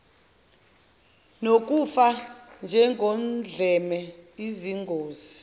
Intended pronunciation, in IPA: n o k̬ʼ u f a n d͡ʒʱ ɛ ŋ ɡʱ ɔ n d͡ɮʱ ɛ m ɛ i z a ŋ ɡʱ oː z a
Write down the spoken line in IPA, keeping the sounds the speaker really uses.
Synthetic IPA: n o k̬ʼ u f a n d͡ʒʱ ɛ ŋ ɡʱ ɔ n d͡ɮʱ ɛ m ɛ i z i ŋ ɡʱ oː z i